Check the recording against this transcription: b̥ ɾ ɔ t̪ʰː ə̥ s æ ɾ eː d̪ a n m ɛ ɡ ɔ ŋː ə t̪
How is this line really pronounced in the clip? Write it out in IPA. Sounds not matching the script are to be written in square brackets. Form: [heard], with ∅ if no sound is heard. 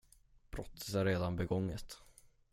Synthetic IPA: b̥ ɾ ɔ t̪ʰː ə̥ s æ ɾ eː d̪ a n [b] ɛ ɡ ɔ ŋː ə t̪